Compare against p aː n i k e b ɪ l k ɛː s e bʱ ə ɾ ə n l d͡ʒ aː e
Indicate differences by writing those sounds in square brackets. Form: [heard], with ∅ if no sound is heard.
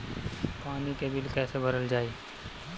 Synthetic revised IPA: p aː n i k e b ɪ l k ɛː s e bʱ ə ɾ ə [∅] l d͡ʒ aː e